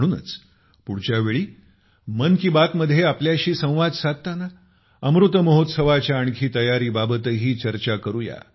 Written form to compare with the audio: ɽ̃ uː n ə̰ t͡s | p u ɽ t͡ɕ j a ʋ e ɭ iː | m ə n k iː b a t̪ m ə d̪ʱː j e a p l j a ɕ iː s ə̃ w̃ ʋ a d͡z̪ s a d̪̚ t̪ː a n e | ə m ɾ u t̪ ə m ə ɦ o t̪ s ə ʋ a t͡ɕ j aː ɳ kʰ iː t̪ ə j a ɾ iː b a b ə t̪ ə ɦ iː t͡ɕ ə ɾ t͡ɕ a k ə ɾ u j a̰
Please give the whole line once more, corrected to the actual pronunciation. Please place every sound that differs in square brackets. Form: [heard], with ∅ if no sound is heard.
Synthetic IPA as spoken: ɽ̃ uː n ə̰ t͡s | p u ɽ t͡ɕ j a ʋ e ɭ iː | m ə n k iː b a t̪ m ə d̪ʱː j e a p l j a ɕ iː s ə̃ w̃ ʋ a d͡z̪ s a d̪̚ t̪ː a n [a] | ə m ɾ u t̪ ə m ə ɦ o t̪ s ə ʋ a t͡ɕ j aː ɳ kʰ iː t̪ ə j a ɾ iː b a b ə t̪ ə ɦ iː t͡ɕ ə ɾ t͡ɕ a k ə ɾ u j a̰